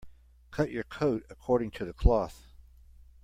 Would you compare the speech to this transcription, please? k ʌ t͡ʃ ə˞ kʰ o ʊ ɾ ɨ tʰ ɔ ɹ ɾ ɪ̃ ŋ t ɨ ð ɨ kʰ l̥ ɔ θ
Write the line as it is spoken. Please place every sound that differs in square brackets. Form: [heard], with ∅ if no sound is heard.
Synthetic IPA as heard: [kʰ] ʌ t͡ʃ ə˞ kʰ o ʊ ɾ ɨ [kʰ] ɔ ɹ ɾ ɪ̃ ŋ [tʰ] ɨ ð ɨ kʰ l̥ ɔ θ